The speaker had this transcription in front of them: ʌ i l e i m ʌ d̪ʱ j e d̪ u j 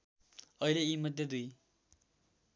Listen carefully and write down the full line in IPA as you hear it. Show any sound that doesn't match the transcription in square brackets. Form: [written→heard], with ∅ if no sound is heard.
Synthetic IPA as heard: ʌ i l e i m ʌ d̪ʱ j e d̪ u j